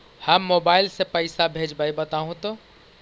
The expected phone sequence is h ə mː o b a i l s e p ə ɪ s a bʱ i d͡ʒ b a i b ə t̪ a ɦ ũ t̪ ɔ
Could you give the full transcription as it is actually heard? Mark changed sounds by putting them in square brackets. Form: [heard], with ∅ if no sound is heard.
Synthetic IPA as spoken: h ə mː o b a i l s e p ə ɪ s a bʱ [e] d͡ʒ b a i b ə t̪ a ɦ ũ t̪ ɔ